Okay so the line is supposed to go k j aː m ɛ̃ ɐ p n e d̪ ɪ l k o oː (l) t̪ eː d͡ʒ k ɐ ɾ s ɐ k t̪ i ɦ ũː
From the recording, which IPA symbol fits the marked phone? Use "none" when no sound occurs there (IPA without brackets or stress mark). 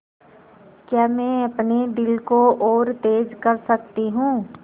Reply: ɾ